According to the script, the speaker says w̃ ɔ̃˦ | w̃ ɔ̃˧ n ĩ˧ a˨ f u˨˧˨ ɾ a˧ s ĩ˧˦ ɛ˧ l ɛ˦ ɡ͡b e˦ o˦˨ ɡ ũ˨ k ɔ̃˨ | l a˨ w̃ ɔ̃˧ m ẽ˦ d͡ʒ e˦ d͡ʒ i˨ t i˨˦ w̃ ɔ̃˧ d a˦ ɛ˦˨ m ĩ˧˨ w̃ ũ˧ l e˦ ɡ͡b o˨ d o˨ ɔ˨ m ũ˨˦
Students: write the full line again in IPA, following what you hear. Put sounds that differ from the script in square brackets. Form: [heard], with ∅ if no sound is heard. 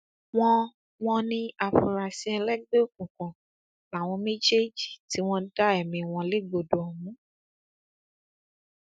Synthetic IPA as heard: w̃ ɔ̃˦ | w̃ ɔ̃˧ n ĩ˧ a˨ f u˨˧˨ ɾ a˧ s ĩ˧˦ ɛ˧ l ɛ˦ ɡ͡b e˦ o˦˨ [k] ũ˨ k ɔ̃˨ | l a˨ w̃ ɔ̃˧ m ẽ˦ d͡ʒ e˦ d͡ʒ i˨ t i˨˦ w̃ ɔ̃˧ d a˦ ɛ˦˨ m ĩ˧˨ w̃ [ɔ̃˧] l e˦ ɡ͡b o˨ d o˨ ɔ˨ m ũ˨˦